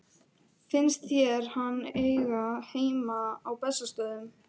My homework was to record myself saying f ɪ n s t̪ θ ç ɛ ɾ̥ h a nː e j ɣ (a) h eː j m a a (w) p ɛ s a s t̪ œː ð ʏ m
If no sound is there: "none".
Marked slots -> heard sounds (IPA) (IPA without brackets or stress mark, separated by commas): a, w